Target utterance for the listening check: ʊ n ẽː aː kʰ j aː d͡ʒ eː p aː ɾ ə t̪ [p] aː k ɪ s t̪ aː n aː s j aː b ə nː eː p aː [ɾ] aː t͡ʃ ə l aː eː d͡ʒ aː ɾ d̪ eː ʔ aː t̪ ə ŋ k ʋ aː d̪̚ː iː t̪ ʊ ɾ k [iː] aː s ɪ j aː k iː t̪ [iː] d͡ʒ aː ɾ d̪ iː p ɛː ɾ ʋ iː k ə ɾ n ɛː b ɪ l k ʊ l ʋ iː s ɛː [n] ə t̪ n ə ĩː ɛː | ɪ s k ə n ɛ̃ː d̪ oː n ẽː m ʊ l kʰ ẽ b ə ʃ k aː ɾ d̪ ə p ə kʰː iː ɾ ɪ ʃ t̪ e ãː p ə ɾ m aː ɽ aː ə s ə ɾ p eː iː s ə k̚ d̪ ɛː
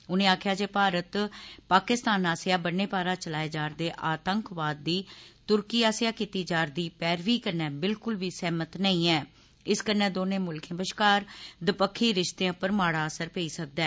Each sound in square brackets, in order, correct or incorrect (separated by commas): correct, correct, correct, correct, incorrect